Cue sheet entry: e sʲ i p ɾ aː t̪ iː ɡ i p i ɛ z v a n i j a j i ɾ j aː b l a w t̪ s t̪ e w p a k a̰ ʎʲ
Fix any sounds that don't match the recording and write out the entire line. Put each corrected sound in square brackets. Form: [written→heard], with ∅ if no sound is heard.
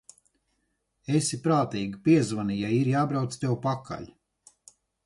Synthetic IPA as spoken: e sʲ i p ɾ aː t̪ iː ɡ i p i ɛ z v a n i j a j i ɾ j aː b [l→ɾ] a w t̪ s t̪ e w p a k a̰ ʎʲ